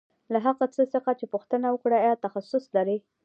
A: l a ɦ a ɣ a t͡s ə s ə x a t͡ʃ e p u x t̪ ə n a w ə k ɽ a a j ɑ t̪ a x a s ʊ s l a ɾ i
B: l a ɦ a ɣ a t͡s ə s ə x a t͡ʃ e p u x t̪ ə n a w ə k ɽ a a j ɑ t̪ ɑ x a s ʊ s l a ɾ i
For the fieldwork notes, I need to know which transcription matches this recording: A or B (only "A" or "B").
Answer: A